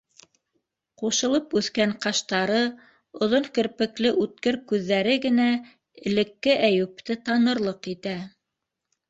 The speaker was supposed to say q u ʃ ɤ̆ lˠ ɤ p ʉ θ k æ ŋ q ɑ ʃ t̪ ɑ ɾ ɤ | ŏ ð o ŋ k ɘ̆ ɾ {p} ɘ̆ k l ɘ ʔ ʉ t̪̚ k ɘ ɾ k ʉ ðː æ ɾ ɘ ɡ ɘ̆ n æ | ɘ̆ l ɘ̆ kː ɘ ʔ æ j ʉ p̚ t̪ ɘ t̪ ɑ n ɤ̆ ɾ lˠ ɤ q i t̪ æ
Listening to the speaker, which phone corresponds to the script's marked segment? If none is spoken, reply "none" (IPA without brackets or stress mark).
p